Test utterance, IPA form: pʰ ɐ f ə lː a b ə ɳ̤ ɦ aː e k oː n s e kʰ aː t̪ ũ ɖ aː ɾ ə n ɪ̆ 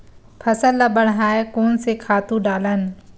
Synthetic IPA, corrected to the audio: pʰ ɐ s ə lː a b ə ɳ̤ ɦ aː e k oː n s e kʰ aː t̪ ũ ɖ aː l ə n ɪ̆